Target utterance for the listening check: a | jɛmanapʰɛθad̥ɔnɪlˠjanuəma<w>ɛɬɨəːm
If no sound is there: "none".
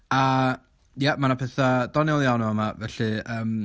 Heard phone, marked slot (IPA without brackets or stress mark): v